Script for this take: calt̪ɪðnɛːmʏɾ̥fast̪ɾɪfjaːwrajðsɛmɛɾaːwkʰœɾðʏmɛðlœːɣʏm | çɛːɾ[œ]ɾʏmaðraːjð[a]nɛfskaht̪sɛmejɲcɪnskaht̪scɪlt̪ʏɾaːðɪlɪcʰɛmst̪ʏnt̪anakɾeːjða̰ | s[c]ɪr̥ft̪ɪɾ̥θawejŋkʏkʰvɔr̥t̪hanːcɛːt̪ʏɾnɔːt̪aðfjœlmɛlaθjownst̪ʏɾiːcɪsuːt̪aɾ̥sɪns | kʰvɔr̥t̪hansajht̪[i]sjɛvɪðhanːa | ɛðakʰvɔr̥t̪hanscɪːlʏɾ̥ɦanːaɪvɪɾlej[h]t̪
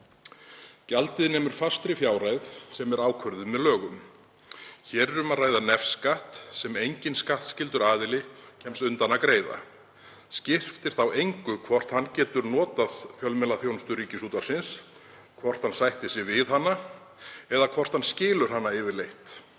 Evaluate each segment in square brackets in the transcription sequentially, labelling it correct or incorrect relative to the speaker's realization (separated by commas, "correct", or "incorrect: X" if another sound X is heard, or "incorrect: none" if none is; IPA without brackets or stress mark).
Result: incorrect: ɛ, correct, correct, incorrect: ɪ, correct